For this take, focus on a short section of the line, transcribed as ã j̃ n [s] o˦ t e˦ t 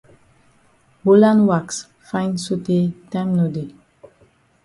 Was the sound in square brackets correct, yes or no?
yes